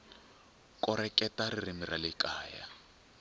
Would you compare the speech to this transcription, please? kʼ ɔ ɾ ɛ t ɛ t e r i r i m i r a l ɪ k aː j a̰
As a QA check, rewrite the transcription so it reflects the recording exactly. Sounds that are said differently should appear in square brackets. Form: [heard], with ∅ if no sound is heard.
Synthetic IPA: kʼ ɔ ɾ ɛ [k] ɛ t [a] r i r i m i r a l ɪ k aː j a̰